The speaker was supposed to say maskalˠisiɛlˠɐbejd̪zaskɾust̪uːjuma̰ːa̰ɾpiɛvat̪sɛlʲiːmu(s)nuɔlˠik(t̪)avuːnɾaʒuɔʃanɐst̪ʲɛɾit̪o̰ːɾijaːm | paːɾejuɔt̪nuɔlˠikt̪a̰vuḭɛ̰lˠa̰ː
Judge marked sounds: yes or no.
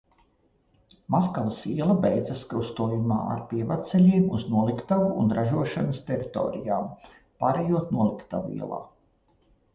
no, yes

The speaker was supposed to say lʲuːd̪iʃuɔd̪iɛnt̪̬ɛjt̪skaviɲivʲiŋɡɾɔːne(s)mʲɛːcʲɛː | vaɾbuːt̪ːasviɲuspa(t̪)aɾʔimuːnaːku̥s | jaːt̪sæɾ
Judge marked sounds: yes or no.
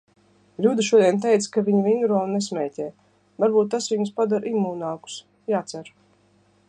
yes, no

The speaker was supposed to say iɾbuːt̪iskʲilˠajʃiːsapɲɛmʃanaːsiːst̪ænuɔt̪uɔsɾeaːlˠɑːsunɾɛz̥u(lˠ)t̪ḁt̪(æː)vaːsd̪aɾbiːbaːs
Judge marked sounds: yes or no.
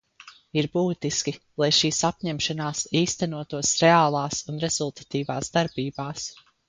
yes, no

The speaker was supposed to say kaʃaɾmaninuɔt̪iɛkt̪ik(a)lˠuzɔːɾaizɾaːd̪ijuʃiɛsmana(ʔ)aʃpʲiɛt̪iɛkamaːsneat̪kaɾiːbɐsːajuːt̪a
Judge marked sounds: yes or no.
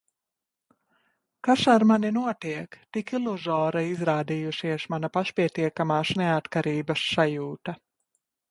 no, no

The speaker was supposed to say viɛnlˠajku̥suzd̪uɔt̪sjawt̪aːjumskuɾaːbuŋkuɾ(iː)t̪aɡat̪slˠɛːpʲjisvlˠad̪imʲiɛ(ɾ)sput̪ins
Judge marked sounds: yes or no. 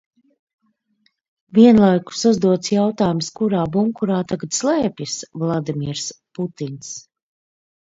no, yes

